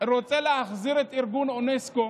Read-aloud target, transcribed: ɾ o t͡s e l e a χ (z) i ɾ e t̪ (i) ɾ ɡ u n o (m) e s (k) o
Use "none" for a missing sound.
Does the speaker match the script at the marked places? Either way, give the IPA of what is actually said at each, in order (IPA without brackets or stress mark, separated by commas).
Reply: z, i, n, k